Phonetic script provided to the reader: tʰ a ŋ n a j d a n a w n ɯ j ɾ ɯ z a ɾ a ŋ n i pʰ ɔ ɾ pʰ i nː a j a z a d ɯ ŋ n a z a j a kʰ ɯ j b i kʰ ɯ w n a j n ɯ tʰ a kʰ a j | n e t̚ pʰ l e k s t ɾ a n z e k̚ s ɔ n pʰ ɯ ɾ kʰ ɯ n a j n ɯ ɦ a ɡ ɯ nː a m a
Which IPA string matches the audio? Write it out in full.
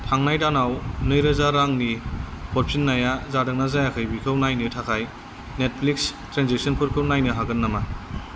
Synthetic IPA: tʰ a ŋ n a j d a n a w n ɯ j ɾ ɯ z a ɾ a ŋ n i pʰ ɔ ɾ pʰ i nː a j a z a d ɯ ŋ n a z a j a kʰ ɯ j b i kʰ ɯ w n a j n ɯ tʰ a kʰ a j | n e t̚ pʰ l i k s t ɾ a n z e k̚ s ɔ n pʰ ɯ ɾ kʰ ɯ n a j n ɯ ɦ a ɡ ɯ nː a m a